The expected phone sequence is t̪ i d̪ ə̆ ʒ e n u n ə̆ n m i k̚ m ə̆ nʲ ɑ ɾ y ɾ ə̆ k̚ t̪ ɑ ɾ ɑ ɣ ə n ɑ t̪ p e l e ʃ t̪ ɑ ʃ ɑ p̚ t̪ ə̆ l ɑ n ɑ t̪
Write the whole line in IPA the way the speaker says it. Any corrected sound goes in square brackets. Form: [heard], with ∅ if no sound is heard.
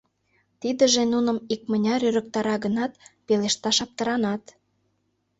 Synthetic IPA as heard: t̪ i d̪ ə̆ ʒ e n u n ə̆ [∅] m i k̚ m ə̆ nʲ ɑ ɾ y ɾ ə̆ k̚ t̪ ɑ ɾ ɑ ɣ ə n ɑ t̪ p e l e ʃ t̪ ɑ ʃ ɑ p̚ t̪ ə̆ [ɾ] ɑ n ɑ t̪